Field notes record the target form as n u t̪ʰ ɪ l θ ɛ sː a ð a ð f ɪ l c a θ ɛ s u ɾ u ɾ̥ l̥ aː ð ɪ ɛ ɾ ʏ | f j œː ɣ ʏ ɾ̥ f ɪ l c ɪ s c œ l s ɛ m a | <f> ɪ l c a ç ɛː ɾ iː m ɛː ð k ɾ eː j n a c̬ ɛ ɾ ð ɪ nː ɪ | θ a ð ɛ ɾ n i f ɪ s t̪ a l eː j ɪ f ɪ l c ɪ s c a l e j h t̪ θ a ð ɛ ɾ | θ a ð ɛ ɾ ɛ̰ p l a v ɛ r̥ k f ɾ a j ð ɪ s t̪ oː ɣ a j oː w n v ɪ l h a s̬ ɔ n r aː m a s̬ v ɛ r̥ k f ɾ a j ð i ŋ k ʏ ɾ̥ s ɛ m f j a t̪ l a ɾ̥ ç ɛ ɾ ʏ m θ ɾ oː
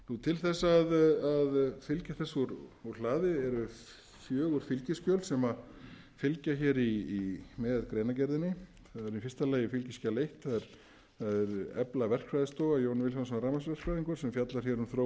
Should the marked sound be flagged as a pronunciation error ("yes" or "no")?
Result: no